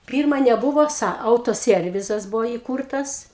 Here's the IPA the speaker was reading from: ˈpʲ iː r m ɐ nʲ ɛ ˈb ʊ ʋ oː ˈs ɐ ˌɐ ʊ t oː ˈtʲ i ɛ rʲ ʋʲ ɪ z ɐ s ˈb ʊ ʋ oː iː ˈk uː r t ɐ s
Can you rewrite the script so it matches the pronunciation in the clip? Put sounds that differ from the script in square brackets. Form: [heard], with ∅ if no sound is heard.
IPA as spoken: ˈpʲ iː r m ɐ nʲ ɛ ˈb ʊ ʋ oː ˈs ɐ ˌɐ ʊ t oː [ˈsʲ] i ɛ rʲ ʋʲ ɪ z ɐ s ˈb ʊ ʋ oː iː ˈk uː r t ɐ s